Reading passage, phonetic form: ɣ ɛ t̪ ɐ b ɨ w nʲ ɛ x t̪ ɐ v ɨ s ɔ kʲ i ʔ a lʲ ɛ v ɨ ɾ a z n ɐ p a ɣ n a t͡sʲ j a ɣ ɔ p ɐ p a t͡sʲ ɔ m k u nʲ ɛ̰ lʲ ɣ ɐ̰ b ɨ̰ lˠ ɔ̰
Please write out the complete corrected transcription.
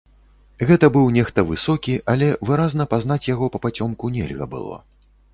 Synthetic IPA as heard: ɣ ɛ t̪ ɐ b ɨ w nʲ ɛ x t̪ ɐ v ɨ s ɔ kʲ i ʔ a lʲ ɛ v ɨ ɾ a z n ɐ p a z n a t͡sʲ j a ɣ ɔ p ɐ p a t͡sʲ ɔ m k u nʲ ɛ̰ lʲ ɣ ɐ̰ b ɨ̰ lˠ ɔ̰